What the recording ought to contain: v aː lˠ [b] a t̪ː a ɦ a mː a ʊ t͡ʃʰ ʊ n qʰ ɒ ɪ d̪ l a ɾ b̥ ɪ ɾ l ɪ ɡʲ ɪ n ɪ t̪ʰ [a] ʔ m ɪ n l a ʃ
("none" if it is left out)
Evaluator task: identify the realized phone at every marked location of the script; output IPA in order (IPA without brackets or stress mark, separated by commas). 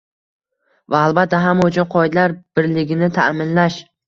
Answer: b, a